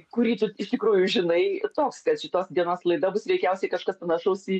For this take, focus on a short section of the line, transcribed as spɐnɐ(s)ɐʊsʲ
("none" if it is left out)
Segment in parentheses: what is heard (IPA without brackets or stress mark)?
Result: ʃ